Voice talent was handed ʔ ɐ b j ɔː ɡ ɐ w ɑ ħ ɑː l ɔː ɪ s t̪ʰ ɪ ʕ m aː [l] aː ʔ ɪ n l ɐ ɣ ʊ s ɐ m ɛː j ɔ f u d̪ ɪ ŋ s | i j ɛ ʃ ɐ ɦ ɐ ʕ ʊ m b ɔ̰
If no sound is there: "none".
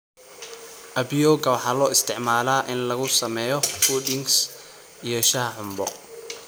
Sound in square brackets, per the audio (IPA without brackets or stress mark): l